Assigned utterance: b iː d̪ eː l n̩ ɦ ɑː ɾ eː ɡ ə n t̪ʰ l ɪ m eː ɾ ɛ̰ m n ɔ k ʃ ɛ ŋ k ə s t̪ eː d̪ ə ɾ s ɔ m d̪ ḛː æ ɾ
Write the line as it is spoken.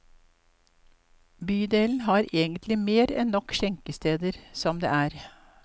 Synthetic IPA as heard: b yː d̪ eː l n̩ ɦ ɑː ɾ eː ɡ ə n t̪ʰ l ɪ m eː ɾ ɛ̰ n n ɔ k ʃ ɛ ŋ k ə s t̪ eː d̪ ə ɾ s ɔ m d̪ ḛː æː ɾ